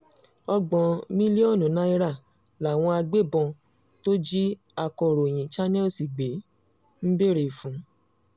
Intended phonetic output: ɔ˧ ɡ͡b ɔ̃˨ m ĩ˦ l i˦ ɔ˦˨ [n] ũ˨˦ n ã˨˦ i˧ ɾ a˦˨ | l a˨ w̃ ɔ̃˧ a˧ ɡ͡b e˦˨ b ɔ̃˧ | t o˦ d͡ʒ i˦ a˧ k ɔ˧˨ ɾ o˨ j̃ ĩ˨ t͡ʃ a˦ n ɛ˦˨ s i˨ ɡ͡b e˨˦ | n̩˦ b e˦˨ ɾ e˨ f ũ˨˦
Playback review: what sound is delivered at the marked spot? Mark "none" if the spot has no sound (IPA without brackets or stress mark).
n